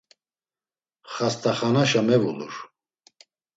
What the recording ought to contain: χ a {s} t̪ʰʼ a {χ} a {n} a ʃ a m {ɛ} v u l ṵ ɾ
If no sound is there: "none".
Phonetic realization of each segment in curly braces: s, χ, n, ɛ

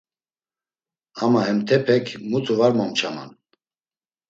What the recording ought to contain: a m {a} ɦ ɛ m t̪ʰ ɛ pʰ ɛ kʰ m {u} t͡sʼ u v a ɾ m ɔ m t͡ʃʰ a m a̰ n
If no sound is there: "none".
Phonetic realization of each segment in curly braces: a, u

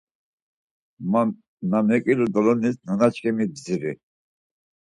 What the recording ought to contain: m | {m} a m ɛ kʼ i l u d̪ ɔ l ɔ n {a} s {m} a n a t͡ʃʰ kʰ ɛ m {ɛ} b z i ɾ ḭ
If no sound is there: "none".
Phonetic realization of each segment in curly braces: n, i, n, i

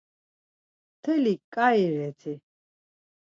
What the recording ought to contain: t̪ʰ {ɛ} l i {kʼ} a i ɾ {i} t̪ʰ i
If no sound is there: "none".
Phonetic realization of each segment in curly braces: ɛ, kʼ, ɛ

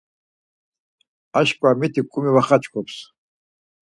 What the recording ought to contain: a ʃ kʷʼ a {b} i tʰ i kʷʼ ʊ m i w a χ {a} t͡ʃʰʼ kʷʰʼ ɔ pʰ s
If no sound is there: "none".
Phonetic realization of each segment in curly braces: m, a

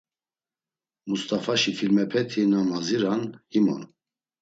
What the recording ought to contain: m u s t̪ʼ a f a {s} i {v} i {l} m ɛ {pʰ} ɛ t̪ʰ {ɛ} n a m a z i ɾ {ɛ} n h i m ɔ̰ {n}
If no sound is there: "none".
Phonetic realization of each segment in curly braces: ʃ, f, l, pʰ, i, a, n

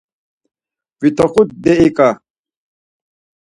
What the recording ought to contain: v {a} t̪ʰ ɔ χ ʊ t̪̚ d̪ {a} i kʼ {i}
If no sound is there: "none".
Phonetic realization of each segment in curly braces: i, ɛ, a

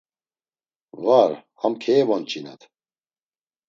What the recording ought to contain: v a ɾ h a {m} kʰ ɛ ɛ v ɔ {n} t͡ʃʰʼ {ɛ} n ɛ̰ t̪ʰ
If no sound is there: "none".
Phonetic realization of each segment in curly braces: m, n, i

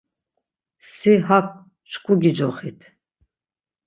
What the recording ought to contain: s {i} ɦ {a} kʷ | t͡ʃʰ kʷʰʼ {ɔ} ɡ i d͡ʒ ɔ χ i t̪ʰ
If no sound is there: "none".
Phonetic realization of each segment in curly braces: i, a, u

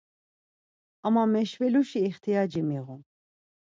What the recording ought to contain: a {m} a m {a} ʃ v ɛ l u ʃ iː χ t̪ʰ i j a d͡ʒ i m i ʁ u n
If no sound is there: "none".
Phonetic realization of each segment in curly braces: m, ɛ

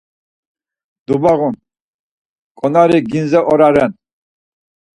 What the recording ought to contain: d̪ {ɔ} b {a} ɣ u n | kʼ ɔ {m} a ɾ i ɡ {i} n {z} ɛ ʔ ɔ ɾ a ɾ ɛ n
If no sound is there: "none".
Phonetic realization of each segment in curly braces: u, a, n, i, z

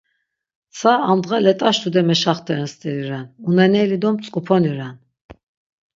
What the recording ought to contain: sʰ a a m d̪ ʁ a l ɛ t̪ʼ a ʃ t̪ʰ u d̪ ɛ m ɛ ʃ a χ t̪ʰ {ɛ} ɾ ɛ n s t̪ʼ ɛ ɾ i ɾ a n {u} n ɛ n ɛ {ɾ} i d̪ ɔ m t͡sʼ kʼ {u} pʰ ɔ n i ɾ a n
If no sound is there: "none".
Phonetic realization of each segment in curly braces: ɛ, u, l, u

